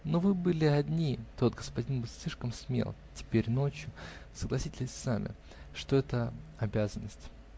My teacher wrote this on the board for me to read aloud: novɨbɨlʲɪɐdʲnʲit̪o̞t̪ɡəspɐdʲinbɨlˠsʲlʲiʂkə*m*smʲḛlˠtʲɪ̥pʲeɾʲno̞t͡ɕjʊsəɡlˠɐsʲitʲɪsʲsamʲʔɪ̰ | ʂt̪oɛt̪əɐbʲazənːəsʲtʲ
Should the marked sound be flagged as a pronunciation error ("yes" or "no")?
no